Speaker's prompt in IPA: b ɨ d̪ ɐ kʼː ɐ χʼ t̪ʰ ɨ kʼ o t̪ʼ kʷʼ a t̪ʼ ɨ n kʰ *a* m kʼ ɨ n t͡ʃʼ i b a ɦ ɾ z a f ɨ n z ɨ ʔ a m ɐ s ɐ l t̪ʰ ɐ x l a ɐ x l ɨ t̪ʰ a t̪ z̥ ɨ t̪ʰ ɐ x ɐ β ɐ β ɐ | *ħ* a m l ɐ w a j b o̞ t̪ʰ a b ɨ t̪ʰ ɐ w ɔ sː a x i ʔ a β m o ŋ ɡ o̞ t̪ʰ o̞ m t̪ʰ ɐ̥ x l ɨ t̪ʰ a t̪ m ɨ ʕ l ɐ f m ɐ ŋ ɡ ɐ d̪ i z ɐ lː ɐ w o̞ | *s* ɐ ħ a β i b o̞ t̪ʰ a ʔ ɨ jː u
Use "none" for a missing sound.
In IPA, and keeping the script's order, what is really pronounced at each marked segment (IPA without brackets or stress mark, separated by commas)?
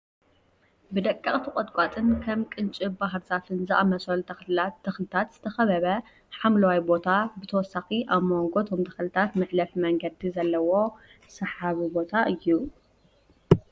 ɐ, ħ, s